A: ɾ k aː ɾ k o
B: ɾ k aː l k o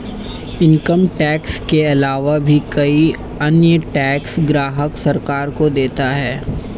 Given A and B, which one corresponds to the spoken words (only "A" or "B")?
A